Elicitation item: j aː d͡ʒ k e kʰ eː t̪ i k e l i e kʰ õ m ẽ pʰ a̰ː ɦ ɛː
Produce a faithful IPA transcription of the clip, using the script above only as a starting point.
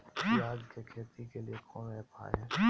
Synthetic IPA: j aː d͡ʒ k e kʰ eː t̪ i k e l i e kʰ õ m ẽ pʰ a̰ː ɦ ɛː